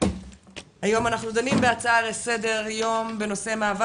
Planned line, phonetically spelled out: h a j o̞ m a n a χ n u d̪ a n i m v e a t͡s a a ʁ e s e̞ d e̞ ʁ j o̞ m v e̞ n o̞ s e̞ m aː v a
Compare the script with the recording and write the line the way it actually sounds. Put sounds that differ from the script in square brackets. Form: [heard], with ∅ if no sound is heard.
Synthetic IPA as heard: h a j o̞ m a n a χ n u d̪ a n i m [b] e a t͡s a a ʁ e s e̞ d e̞ ʁ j o̞ m [b] e̞ n o̞ s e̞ m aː v a